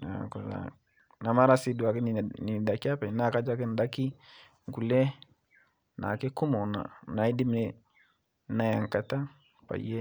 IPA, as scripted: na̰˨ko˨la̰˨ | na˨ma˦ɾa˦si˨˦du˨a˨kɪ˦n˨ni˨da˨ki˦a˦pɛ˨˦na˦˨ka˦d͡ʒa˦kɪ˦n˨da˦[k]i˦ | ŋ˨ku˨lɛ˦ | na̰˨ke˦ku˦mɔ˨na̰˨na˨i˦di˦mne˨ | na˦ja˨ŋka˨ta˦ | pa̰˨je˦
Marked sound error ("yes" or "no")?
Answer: no